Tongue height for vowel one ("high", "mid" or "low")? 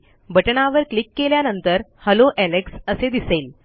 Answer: mid